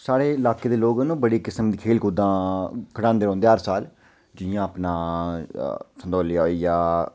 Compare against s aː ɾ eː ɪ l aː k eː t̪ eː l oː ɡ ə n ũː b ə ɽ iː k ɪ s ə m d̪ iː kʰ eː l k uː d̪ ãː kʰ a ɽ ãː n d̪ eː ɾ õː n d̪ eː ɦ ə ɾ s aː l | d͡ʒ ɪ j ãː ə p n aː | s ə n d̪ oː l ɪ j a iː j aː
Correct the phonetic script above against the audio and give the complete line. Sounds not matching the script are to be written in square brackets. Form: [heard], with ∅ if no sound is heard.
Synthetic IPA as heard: s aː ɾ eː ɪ l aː k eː [d̪] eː l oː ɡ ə n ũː b ə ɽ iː k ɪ s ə m d̪ iː kʰ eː l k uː d̪ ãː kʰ [ə] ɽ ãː n d̪ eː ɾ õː n d̪ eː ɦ ə ɾ s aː l | d͡ʒ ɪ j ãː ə p n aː | s ə n d̪ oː l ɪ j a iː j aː

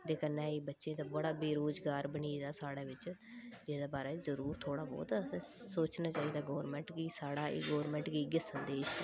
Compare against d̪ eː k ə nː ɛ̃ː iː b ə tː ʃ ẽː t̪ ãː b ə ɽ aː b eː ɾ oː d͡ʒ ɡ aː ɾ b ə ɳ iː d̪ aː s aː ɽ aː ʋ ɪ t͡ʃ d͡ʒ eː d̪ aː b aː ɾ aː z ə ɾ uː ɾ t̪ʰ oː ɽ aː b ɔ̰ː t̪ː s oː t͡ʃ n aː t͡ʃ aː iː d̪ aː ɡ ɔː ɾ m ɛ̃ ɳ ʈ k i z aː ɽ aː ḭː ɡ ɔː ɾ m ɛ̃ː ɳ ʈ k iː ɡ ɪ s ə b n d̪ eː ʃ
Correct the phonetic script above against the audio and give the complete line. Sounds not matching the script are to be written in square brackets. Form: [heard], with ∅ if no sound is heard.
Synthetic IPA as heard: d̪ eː k ə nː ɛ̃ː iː b ə tː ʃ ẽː t̪ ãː b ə ɽ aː b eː ɾ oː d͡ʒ ɡ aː ɾ b ə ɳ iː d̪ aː s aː ɽ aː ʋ ɪ t͡ʃ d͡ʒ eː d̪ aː b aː ɾ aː z ə ɾ uː ɾ t̪ʰ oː ɽ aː b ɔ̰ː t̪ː s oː t͡ʃ n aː t͡ʃ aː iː d̪ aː ɡ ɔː ɾ m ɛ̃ ɳ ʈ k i [s] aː ɽ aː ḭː ɡ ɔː ɾ m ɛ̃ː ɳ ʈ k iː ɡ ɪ s ə [∅] n d̪ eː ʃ

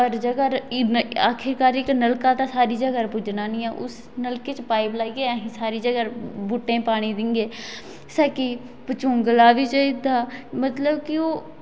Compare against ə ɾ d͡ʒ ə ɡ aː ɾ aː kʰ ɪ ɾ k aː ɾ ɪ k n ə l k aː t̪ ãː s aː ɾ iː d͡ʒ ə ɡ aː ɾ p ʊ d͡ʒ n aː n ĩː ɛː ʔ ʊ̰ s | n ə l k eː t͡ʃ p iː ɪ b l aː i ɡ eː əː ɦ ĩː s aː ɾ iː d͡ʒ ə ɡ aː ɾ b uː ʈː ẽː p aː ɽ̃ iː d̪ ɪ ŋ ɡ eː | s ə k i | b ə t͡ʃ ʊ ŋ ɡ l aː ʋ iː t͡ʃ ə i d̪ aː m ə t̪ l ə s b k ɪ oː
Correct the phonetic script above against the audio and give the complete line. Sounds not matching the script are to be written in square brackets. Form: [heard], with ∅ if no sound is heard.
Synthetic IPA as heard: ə ɾ d͡ʒ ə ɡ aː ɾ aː kʰ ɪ ɾ k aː ɾ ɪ k n ə l k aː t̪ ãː s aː ɾ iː d͡ʒ ə ɡ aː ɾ p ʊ d͡ʒ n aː n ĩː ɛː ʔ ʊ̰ s | n ə l k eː t͡ʃ p [aː] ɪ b l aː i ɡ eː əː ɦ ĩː s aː ɾ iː d͡ʒ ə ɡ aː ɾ b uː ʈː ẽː p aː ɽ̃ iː d̪ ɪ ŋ ɡ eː | s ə k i | [p] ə t͡ʃ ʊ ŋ ɡ l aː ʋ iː t͡ʃ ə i d̪ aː m ə t̪ l ə [∅] b k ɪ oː

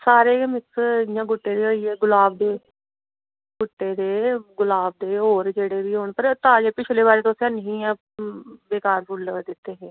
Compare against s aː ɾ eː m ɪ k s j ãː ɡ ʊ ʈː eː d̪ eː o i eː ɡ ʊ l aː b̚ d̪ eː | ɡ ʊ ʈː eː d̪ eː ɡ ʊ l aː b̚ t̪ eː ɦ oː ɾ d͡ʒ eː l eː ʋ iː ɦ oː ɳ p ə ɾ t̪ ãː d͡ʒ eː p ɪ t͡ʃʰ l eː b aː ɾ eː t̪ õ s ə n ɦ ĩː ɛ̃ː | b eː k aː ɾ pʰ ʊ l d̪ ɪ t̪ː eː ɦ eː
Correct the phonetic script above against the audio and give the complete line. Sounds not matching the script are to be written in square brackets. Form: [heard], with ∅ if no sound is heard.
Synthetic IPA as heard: s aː ɾ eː m ɪ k s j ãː ɡ ʊ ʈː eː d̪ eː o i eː ɡ ʊ l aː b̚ d̪ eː | ɡ ʊ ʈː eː d̪ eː ɡ ʊ l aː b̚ [d̪] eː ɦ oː ɾ d͡ʒ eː [ɽ] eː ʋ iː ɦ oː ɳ p ə ɾ t̪ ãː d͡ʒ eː p ɪ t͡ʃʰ l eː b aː ɾ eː t̪ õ s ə n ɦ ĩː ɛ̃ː | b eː k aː ɾ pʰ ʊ l d̪ ɪ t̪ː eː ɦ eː

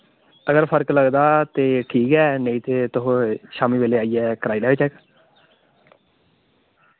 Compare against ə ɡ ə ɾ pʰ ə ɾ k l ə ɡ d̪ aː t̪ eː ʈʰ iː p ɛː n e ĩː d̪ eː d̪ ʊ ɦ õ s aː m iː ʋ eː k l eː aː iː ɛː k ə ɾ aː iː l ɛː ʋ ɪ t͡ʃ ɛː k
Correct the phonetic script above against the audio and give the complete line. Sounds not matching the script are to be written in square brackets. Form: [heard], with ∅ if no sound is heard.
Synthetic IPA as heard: ə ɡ ə ɾ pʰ ə ɾ k l ə ɡ d̪ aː t̪ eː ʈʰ iː [k] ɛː n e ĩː [t̪] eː [t̪] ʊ ɦ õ [ʃ] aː m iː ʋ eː [∅] l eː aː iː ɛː k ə ɾ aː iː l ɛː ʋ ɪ t͡ʃ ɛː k

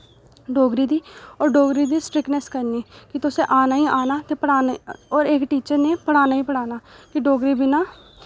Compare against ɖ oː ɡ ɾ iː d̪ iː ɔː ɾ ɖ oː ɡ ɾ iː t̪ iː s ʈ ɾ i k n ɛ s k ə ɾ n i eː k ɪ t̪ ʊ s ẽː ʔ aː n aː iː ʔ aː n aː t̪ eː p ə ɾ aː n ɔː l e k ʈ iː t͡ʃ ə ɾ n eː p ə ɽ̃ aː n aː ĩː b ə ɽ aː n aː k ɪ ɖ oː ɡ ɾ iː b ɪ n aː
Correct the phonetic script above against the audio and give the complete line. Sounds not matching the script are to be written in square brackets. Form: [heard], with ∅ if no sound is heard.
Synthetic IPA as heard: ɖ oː ɡ ɾ iː d̪ iː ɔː ɾ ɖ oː ɡ ɾ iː [d̪] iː s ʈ ɾ [ɪ] k n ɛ s k ə ɾ n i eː k ɪ t̪ ʊ s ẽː ʔ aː n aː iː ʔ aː n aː t̪ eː p ə [ɽ] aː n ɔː [ɾ] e k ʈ iː t͡ʃ ə ɾ n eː p ə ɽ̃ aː n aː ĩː [p] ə ɽ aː n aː k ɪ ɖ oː ɡ ɾ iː b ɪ n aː

